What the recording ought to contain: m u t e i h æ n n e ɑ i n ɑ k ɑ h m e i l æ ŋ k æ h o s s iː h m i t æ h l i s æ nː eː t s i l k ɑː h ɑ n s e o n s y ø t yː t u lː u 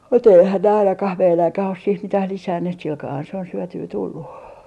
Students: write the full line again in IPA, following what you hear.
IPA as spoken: m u t e i h æ n n e ɑ i n ɑ k ɑ h m e i l æ ŋ k æ h o s s iː h m i t æ h l i s æ nː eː t s i l k ɑː h ɑ n s e o n s y ø t yː t u lː u